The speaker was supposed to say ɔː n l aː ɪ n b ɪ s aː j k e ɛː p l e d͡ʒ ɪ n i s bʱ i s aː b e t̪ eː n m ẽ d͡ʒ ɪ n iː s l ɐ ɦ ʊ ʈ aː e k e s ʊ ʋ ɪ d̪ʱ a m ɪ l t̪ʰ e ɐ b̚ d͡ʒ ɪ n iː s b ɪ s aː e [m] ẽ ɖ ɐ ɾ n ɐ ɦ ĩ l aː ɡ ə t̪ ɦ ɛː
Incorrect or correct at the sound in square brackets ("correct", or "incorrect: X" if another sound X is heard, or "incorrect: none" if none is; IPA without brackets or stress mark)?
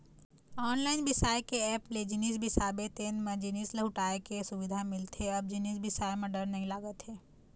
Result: correct